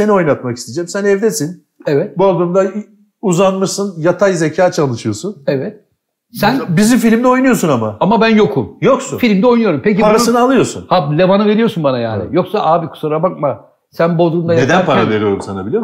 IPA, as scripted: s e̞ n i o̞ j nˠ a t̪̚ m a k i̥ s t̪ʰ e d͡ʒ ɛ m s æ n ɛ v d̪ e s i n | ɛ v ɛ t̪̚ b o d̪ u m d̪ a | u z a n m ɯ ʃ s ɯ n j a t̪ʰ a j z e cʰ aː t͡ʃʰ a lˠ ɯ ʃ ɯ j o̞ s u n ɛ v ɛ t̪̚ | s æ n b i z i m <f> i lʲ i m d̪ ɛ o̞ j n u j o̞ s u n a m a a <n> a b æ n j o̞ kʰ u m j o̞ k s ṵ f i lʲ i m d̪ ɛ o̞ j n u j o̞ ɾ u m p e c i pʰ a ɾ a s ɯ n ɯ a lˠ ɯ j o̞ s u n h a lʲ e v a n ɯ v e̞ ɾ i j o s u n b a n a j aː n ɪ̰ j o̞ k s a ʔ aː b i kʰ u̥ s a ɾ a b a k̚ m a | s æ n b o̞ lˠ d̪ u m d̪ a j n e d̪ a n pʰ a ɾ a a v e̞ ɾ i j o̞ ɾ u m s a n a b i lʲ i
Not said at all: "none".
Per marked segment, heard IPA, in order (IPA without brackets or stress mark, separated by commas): f, m